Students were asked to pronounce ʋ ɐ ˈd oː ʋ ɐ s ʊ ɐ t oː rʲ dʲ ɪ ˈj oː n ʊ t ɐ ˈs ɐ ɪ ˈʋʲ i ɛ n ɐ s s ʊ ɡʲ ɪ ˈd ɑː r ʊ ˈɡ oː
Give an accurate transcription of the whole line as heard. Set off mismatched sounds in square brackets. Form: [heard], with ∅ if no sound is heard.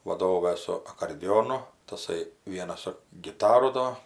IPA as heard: ʋ ɐ ˈd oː ʋ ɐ s ʊ ɐ [k] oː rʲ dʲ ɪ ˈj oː n ʊ t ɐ ˈs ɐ ɪ ˈʋʲ i ɛ n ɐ s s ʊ ɡʲ ɪ [ˈt] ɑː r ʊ [ˈd] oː